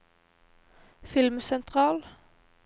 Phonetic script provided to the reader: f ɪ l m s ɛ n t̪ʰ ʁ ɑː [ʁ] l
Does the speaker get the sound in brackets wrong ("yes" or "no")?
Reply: yes